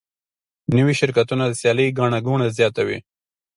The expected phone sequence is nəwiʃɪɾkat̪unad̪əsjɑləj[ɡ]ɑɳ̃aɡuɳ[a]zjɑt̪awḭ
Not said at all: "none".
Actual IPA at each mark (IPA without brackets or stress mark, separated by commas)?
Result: ɡ, a